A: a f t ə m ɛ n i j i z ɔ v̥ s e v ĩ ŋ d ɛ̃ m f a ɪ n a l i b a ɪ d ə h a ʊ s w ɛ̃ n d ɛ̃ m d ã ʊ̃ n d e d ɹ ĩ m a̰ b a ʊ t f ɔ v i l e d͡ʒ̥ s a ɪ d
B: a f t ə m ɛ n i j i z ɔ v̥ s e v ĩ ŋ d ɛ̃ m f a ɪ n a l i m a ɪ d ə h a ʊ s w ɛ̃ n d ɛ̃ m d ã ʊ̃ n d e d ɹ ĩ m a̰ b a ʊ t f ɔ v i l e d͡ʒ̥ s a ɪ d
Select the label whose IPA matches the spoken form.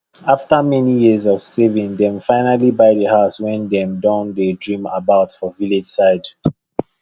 A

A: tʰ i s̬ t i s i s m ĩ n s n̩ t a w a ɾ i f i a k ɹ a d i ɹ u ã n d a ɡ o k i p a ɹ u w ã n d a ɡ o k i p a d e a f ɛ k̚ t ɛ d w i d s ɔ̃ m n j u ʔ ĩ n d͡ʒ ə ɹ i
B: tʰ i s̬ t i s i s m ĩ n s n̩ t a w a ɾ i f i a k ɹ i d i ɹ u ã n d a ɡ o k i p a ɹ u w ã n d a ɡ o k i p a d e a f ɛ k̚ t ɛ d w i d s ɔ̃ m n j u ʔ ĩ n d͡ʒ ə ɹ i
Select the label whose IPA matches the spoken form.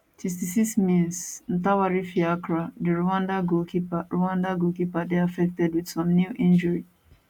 A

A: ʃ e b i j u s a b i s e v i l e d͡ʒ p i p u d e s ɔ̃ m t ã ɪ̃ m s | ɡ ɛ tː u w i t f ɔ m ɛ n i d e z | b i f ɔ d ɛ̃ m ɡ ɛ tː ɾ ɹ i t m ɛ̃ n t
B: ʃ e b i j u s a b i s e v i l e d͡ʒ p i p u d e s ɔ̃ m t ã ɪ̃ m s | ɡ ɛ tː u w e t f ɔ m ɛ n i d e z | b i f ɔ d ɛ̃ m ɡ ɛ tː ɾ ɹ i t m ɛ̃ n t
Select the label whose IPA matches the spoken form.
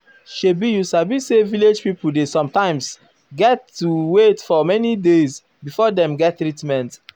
B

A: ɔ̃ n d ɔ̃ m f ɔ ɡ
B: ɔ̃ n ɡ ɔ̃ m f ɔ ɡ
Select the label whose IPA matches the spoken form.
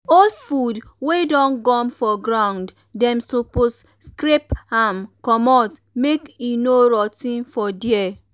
B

